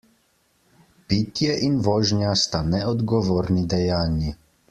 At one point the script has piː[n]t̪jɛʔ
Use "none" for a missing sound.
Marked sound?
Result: none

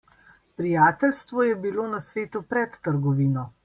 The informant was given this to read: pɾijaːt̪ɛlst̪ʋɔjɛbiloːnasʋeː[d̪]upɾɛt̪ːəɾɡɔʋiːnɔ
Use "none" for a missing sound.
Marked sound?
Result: t̪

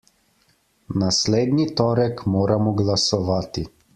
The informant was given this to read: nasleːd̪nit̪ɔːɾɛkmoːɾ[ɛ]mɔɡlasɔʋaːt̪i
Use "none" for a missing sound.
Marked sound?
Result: a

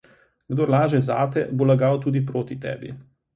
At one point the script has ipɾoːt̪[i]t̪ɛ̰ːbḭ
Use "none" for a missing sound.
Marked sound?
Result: i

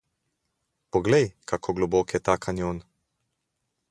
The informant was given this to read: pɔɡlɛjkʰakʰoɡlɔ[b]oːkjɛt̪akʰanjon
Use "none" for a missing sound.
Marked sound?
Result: b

